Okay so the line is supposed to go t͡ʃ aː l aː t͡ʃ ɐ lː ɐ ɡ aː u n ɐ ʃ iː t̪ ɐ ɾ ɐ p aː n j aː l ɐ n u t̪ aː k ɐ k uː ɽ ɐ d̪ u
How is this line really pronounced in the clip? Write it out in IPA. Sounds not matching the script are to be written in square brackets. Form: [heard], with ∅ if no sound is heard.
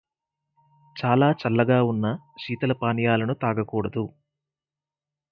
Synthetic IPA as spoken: t͡ʃ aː l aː t͡ʃ ɐ lː ɐ ɡ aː u [nː] ɐ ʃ iː t̪ ɐ [l] ɐ p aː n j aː l ɐ n u t̪ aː [ɡ] ɐ k uː ɽ ɐ d̪ u